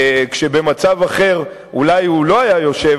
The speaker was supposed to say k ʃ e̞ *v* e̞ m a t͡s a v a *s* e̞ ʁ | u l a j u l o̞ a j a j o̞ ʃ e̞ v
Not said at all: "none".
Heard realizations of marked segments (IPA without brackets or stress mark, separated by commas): b, χ